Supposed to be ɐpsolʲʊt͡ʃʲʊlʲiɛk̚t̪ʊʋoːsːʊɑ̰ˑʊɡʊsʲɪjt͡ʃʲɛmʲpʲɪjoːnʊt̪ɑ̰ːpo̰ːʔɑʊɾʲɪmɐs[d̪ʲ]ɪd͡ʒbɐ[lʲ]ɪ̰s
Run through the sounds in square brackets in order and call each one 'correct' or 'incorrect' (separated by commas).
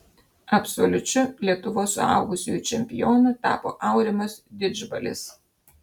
correct, correct